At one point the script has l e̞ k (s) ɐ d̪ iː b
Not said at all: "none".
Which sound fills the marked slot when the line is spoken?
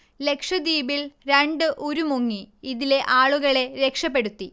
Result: ʂ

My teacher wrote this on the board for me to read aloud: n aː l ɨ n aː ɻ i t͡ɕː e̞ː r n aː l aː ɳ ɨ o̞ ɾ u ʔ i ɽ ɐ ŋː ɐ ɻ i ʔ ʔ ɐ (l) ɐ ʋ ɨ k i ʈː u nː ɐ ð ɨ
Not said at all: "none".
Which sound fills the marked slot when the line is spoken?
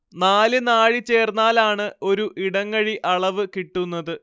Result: ɭ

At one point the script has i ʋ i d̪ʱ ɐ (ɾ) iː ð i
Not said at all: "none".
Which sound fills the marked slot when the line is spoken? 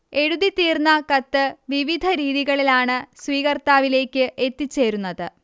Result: ɾ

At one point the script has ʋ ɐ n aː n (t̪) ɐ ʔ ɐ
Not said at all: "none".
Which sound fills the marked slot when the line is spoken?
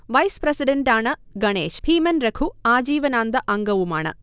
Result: d̪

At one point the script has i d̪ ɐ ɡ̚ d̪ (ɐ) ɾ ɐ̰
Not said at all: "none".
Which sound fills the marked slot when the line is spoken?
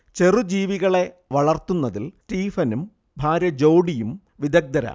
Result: ɐ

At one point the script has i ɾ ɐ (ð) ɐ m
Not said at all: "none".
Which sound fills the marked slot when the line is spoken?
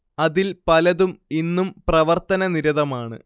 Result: ð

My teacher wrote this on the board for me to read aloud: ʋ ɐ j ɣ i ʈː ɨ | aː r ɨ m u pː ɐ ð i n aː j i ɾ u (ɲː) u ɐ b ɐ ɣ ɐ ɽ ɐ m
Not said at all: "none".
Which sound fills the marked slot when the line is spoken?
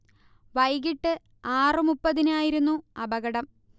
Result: nː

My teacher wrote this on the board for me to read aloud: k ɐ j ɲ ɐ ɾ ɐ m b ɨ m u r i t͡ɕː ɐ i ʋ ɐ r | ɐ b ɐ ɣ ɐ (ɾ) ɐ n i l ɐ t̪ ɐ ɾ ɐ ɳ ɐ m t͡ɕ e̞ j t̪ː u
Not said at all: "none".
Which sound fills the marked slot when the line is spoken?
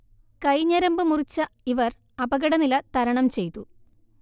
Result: ɽ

